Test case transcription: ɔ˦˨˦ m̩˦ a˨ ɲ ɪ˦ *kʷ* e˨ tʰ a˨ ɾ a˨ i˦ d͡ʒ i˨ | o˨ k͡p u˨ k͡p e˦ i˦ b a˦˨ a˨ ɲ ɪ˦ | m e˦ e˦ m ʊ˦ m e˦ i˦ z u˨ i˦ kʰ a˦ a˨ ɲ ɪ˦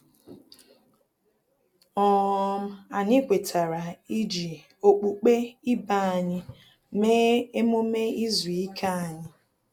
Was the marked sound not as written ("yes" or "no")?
no